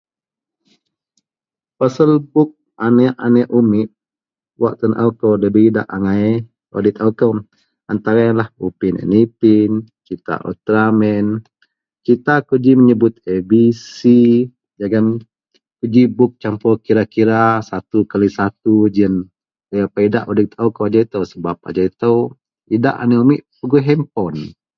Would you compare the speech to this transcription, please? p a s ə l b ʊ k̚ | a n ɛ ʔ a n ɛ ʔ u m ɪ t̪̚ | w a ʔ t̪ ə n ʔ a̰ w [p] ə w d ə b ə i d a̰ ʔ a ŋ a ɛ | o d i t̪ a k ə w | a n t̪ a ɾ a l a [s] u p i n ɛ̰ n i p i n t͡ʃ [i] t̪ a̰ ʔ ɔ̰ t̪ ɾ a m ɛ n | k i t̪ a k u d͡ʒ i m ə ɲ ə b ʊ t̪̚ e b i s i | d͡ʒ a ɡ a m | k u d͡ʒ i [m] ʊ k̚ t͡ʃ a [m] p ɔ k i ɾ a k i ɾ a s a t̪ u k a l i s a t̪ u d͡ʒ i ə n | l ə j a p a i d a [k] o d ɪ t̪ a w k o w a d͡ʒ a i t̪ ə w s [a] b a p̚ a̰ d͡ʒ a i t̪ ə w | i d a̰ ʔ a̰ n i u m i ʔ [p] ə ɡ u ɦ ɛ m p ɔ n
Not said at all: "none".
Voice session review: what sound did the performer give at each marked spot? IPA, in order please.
k, h, i, b, m, ʔ, ə, p

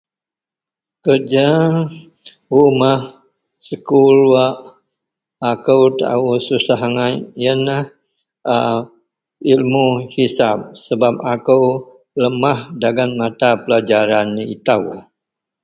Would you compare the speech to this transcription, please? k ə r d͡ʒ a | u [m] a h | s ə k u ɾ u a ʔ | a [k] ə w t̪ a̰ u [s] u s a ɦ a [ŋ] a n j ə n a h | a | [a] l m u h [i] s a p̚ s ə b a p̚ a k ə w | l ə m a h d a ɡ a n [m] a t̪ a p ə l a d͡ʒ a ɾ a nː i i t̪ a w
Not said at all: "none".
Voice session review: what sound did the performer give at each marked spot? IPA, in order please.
m, k, s, ŋ, i, i, m

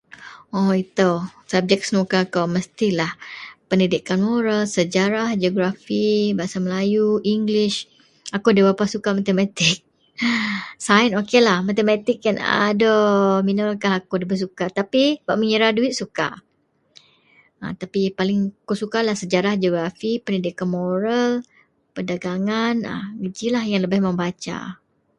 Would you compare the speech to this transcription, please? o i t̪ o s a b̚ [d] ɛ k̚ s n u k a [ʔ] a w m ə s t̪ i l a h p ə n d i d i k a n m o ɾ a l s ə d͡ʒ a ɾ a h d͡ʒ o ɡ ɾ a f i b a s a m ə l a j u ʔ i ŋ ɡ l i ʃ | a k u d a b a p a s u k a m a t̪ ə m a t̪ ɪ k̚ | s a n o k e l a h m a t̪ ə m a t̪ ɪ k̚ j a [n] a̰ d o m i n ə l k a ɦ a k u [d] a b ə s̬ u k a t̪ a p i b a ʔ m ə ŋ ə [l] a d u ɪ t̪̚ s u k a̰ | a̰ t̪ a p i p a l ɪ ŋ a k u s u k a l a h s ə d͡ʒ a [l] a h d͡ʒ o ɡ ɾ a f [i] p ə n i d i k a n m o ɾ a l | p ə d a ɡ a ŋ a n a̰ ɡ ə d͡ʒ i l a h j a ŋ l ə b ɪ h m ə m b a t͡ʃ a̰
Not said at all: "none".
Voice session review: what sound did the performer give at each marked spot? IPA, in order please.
d͡ʒ, k, n, d, ɾ, ɾ, i

